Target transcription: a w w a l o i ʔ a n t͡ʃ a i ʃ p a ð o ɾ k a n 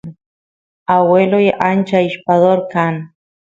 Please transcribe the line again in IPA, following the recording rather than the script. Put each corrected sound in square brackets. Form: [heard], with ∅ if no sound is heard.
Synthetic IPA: a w w [e] l o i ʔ a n t͡ʃ a i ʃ p a ð o ɾ k a n